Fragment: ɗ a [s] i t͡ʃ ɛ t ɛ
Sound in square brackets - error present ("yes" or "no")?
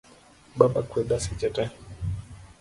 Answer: no